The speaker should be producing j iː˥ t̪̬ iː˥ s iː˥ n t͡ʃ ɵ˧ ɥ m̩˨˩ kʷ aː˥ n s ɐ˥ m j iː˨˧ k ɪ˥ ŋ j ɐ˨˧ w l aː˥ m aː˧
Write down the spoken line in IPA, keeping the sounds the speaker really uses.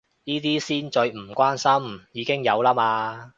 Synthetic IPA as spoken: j iː˥ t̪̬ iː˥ s iː˥ n t͡ʃ ɵ˧ ɥ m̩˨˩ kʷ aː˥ n s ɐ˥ m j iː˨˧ k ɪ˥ ŋ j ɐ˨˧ w l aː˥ m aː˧